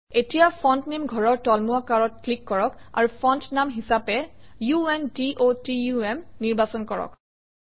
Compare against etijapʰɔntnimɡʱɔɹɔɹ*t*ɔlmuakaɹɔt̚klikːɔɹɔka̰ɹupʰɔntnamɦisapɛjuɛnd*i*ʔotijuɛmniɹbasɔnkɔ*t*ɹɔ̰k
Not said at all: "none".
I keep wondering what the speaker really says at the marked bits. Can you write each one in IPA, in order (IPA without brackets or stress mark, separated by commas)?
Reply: t, i, none